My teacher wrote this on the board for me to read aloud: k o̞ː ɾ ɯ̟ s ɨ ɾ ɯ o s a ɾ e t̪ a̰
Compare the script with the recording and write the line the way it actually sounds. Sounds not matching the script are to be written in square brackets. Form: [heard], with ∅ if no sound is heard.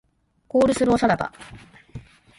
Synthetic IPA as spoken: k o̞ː ɾ ɯ̟ s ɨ ɾ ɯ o s a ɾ [a] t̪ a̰

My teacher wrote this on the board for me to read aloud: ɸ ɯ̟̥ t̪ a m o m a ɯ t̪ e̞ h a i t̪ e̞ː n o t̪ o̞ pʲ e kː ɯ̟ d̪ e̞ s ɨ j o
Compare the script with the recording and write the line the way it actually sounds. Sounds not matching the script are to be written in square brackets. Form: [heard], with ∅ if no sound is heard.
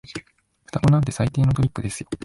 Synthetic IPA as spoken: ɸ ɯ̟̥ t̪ a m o [n] a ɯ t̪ e̞ [s] a i t̪ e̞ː n o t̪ o̞ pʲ [i] kː ɯ̟ d̪ e̞ s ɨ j o

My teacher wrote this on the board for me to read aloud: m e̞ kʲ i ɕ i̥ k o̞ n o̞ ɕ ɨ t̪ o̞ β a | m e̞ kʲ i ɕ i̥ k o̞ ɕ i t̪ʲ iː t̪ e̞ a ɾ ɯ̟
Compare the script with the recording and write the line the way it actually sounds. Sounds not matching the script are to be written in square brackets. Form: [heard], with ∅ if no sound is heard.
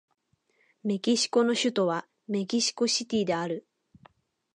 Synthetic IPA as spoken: m e̞ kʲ i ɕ i̥ k o̞ n o̞ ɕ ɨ t̪ o̞ β a | m e̞ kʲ i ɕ i̥ k o̞ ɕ i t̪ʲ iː [d̪] e̞ a ɾ ɯ̟

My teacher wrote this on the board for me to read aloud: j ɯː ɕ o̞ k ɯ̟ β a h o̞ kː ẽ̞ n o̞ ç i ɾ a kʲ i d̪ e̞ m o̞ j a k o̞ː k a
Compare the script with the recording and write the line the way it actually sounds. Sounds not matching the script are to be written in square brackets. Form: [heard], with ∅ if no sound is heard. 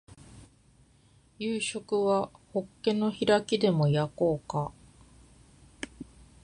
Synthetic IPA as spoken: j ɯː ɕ o̞ k ɯ̟ β a h o̞ kː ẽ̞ n o̞ ç i ɾ a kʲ i d̪ e̞ m o̞ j a k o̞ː k a

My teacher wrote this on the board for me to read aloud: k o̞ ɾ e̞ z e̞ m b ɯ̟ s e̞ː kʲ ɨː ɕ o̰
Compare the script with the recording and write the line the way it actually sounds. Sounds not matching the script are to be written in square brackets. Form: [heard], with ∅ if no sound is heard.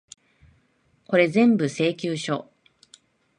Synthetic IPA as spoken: k o̞ ɾ e̞ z [ẽ̞] m b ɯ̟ s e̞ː kʲ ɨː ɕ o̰

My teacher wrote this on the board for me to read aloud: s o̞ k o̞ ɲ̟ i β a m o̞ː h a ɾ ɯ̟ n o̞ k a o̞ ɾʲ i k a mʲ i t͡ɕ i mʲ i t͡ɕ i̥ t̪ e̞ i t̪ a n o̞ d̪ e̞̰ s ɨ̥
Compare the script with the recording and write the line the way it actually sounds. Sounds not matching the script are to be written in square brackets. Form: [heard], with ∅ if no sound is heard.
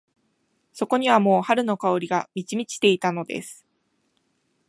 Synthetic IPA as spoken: s o̞ k o̞ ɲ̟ i β a m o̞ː h a ɾ ɯ̟ n o̞ k a o̞ ɾʲ i [ɡ] a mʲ i t͡ɕ i mʲ i t͡ɕ i̥ t̪ e̞ i t̪ a n o̞ d̪ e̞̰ s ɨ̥

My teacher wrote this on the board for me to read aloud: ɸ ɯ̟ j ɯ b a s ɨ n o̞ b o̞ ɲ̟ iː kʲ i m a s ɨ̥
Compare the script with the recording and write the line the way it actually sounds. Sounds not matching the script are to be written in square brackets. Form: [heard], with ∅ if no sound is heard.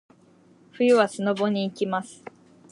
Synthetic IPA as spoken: ɸ ɯ̟ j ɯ [β] a s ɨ n o̞ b o̞ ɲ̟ iː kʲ i m a s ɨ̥

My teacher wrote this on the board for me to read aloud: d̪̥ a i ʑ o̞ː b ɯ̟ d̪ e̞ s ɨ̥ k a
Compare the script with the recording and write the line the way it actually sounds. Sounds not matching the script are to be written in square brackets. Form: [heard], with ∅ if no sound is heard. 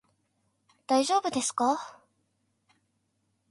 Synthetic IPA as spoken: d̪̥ a i ʑ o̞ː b ɯ̟ d̪ e̞ s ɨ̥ k a

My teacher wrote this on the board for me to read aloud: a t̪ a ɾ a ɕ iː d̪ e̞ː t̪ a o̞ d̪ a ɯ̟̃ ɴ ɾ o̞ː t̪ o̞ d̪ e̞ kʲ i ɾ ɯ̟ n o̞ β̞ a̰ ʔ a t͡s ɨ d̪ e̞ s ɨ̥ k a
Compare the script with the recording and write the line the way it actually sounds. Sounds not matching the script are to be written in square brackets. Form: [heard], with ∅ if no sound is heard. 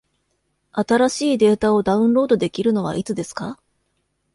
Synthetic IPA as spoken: a t̪ a ɾ a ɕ iː d̪ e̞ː t̪ a o̞ d̪ a ɯ̟̃ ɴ ɾ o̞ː [d̪] o̞ d̪ e̞ kʲ i ɾ ɯ̟ n o̞ β̞ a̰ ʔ [i] t͡s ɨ d̪ e̞ s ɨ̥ k a

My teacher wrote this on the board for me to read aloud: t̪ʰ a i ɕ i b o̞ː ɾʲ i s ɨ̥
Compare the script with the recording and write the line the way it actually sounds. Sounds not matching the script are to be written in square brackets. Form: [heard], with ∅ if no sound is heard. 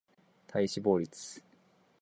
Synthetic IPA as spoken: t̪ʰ a i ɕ i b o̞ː ɾʲ i [t͡s] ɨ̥

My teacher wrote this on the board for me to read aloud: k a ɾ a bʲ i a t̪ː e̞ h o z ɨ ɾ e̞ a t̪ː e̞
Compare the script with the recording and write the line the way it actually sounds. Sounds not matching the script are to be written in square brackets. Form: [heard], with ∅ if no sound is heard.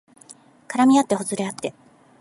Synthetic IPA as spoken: k a ɾ a [mʲ] i a t̪ː e̞ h o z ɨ ɾ e̞ a t̪ː e̞

